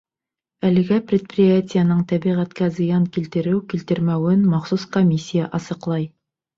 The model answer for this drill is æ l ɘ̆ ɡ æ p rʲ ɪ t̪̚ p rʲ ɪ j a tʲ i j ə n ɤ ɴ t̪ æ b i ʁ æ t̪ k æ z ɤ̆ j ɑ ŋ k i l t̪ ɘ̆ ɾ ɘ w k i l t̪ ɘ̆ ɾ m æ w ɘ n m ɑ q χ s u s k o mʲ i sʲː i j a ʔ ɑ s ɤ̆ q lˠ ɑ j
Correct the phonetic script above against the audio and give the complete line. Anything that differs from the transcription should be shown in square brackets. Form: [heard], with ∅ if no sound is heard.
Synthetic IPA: æ l ɘ̆ ɡ æ p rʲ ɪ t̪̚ p rʲ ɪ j a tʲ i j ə n ɤ ɴ t̪ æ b i ʁ æ t̪ k æ z ɤ̆ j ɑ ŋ k i l t̪ ɘ̆ ɾ ɘ w k i l t̪ ɘ̆ ɾ m æ w ɘ n m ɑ [∅] χ s u s k o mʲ i sʲː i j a ʔ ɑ s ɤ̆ q lˠ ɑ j